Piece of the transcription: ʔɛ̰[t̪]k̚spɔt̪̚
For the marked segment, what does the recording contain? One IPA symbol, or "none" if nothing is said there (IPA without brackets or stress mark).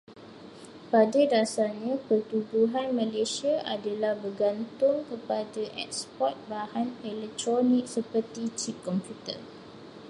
none